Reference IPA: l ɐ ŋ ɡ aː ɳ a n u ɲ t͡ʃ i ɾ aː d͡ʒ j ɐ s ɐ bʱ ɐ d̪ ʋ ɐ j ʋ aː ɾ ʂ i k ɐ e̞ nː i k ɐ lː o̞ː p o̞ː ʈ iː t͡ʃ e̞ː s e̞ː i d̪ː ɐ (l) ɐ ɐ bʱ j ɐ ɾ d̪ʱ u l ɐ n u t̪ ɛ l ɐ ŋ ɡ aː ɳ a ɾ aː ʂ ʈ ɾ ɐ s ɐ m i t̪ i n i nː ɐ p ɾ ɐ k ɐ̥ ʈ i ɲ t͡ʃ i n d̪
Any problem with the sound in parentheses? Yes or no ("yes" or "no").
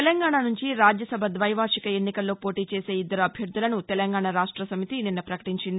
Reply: yes